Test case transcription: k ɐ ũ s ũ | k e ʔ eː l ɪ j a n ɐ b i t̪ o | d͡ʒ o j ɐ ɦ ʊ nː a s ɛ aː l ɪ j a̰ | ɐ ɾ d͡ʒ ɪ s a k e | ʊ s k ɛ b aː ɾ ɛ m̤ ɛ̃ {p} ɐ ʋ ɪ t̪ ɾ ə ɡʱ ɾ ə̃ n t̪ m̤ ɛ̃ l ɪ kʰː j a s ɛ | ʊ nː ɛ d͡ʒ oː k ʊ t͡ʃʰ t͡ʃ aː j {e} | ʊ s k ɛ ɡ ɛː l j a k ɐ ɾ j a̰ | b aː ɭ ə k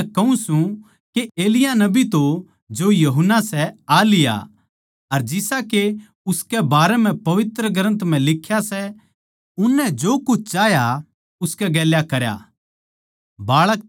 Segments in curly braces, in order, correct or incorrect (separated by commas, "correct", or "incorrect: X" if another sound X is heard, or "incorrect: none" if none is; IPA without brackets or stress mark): correct, incorrect: a